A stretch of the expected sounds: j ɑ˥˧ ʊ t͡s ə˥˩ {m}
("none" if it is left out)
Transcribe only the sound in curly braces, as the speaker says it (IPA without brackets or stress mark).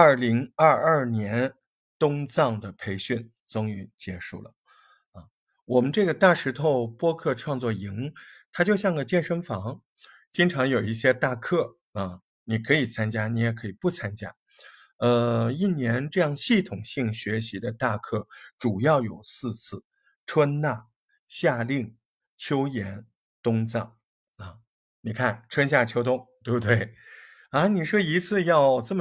m